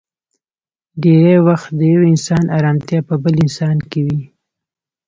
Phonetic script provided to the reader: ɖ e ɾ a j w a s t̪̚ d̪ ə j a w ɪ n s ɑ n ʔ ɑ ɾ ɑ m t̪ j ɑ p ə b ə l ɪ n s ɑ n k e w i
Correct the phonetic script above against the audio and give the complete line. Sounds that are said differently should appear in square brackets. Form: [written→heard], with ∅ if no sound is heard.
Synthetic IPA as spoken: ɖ e ɾ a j w a [s→x] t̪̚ d̪ ə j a w ɪ n s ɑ n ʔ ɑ ɾ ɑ m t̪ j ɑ p ə b ə l ɪ n s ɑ n k e w i